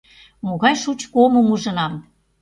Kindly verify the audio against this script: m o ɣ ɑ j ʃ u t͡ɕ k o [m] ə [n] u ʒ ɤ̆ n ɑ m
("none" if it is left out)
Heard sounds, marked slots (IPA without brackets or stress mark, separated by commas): m, m